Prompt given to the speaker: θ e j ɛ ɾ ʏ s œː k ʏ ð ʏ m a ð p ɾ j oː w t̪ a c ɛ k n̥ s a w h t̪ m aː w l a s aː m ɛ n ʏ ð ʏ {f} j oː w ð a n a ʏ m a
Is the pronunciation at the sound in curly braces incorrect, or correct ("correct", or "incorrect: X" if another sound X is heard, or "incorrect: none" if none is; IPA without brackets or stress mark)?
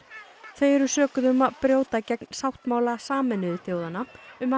incorrect: θ